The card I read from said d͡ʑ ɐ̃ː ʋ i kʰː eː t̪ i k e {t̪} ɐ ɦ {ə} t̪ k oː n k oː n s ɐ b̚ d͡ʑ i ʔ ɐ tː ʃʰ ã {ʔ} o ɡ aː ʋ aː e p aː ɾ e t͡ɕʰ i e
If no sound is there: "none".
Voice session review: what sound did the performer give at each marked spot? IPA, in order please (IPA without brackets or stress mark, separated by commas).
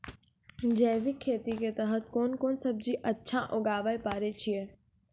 t̪, ə, ʔ